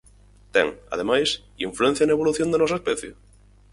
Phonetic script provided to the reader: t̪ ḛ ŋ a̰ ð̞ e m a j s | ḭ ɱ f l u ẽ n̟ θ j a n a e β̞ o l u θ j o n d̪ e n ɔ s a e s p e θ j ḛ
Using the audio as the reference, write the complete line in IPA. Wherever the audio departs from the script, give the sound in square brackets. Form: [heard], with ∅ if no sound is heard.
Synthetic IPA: t̪ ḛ ŋ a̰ ð̞ e m a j s | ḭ ɱ f l u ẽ n̟ θ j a n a e β̞ o l u θ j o n d̪ e n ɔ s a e s p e θ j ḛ